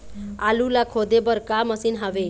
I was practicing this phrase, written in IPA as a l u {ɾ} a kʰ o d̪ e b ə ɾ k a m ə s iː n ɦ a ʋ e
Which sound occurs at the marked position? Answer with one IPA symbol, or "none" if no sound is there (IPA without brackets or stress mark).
l